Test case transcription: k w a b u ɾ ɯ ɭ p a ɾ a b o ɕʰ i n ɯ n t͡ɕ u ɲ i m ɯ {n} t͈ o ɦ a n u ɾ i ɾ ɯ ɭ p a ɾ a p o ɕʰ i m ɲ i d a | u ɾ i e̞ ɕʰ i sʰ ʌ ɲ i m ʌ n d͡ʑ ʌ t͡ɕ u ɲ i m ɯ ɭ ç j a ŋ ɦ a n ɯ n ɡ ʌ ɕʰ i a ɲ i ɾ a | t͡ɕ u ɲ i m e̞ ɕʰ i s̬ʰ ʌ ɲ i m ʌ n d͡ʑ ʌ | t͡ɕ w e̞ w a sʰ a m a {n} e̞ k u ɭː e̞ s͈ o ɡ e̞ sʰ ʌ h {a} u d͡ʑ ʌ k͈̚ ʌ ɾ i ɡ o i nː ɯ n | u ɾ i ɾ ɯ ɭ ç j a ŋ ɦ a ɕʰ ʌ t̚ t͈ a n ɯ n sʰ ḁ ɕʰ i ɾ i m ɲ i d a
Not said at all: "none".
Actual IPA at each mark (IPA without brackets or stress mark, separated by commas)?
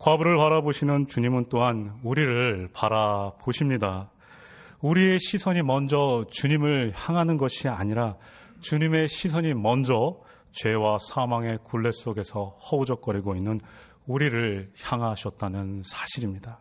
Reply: n, ŋ, ʌ